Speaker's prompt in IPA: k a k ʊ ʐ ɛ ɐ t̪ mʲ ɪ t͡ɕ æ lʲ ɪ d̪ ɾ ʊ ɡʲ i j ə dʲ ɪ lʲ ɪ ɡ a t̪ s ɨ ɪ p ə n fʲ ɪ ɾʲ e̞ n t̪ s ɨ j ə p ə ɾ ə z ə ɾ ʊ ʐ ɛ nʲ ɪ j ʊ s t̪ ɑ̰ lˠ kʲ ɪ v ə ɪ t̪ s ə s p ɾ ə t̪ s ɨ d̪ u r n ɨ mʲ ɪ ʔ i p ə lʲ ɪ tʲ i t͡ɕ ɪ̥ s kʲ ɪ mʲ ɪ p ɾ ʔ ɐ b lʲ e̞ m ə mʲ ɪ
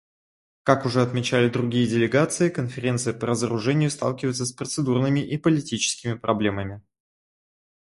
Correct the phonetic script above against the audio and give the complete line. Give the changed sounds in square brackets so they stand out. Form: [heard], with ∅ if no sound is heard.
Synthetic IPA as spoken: k a k ʊ ʐ ɛ ɐ t̪ mʲ ɪ t͡ɕ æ lʲ ɪ d̪ ɾ ʊ ɡʲ i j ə dʲ ɪ lʲ ɪ ɡ a t̪ s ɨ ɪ [k] ə n fʲ ɪ ɾʲ e̞ n t̪ s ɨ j ə p ə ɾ ə z ə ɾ ʊ ʐ ɛ nʲ ɪ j ʊ s t̪ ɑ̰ lˠ kʲ ɪ v ə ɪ t̪ s ə s p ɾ ə t̪ s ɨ d̪ u r n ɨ mʲ ɪ ʔ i p ə lʲ ɪ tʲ i t͡ɕ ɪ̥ s kʲ ɪ mʲ ɪ p ɾ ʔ ɐ b lʲ e̞ m ə mʲ ɪ

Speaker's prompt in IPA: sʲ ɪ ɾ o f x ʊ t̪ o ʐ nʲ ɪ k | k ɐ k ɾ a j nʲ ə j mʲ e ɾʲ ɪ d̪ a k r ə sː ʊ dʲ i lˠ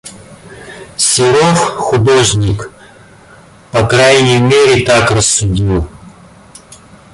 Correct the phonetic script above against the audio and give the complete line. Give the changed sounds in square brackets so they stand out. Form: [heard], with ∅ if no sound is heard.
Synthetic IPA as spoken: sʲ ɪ ɾ o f x ʊ [d̪] o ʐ nʲ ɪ k | [p] ɐ k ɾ a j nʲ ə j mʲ e ɾʲ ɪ [t̪] a k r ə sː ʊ dʲ i lˠ

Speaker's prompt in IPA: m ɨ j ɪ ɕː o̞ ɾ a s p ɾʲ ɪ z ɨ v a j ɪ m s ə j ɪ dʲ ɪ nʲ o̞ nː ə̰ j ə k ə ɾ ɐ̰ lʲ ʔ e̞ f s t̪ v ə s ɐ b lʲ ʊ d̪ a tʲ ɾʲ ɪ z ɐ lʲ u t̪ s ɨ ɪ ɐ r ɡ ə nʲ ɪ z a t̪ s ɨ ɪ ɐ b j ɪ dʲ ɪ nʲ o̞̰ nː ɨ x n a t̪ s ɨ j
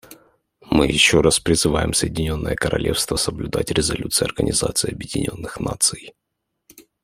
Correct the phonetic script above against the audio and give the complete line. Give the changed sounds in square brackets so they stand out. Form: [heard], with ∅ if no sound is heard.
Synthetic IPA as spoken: m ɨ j ɪ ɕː o̞ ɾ a s p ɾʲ ɪ z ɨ v a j ɪ m s ə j ɪ dʲ ɪ nʲ o̞ nː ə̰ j ə k ə ɾ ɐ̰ lʲ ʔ e̞ f s t̪ v ə s [ə] b lʲ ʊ d̪ a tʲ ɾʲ ɪ z ɐ lʲ u t̪ s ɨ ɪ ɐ r ɡ ə nʲ ɪ z a t̪ s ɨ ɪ ɐ b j ɪ dʲ ɪ nʲ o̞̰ nː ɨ x n a t̪ s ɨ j

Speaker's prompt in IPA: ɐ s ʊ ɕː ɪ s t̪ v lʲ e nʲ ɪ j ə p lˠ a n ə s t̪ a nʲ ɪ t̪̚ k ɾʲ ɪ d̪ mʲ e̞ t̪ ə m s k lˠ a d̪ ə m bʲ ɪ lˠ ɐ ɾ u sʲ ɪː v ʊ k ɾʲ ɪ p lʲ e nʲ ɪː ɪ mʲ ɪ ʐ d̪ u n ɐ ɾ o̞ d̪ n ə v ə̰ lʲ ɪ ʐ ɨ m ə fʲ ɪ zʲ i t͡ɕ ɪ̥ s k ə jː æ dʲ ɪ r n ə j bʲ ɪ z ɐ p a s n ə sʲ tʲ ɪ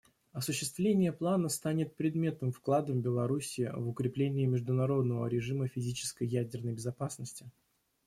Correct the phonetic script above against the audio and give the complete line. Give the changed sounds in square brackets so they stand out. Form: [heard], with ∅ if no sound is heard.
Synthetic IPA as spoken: ɐ s ʊ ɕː ɪ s t̪ v lʲ e nʲ ɪ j ə p lˠ a n ə s t̪ a nʲ ɪ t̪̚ [p] ɾʲ ɪ d̪ mʲ e̞ t̪ ə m [f] k lˠ a d̪ ə m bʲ ɪ lˠ ɐ ɾ u sʲ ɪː v ʊ k ɾʲ ɪ p lʲ e nʲ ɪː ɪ mʲ ɪ ʐ d̪ [ʊ] n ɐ ɾ o̞ d̪ n ə v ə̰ [ɾʲ] ɪ ʐ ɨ m ə fʲ ɪ zʲ i t͡ɕ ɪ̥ s k ə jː æ dʲ ɪ r n ə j bʲ ɪ z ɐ p a s n ə sʲ tʲ ɪ

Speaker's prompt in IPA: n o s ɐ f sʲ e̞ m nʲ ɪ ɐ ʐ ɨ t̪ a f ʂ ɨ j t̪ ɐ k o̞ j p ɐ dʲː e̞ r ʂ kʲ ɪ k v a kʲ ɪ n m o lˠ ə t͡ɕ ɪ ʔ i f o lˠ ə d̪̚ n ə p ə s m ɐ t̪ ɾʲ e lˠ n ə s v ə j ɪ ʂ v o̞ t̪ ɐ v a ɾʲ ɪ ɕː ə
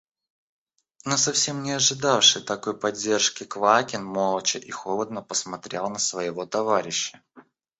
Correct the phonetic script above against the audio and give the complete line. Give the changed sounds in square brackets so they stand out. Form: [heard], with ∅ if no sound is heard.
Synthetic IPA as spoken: n o s ɐ f sʲ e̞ m nʲ ɪ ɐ ʐ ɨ [d̪] a f ʂ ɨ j t̪ ɐ k o̞ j p ɐ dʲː e̞ r ʂ kʲ ɪ k v a kʲ ɪ n m o lˠ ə t͡ɕ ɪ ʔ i [x] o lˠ ə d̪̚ n ə p ə s m ɐ t̪ ɾʲ e lˠ n ə s v ə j ɪ [∅] v o̞ t̪ ɐ v a ɾʲ ɪ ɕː ə

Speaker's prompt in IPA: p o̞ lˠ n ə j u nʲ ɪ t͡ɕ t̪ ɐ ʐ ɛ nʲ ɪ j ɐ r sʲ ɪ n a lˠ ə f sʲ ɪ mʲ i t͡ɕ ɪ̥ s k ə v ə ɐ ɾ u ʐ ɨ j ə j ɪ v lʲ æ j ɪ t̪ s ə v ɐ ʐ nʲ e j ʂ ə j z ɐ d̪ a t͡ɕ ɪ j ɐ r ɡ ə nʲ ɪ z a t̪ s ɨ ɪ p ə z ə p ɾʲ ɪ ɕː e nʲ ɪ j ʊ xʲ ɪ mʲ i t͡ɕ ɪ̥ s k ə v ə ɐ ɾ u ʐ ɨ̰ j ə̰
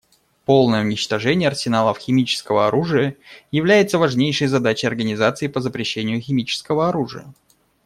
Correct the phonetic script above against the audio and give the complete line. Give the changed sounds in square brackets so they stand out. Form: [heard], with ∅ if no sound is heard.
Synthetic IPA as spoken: p o̞ lˠ n ə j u nʲ ɪ t͡ɕ t̪ ɐ ʐ ɛ nʲ ɪ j ɐ r sʲ ɪ n a lˠ ə f [xʲ] ɪ mʲ i t͡ɕ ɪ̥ s k ə v ə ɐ ɾ u ʐ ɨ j ə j ɪ v lʲ æ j ɪ t̪ s ə v ɐ ʐ nʲ e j ʂ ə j z ɐ d̪ a t͡ɕ ɪ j ɐ r ɡ ə nʲ ɪ z a t̪ s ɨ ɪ p ə z ə p ɾʲ ɪ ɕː e nʲ ɪ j ʊ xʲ ɪ mʲ i t͡ɕ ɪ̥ s k ə v ə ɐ ɾ u ʐ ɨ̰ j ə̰

